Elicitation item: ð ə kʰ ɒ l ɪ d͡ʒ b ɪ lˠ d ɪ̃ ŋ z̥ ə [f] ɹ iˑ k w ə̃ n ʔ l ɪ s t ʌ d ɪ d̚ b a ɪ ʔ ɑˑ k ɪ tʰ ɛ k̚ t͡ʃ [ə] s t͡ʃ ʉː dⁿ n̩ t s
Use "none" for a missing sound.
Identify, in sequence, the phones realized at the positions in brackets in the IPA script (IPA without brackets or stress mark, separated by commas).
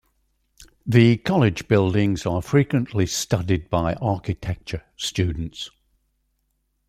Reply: f, ə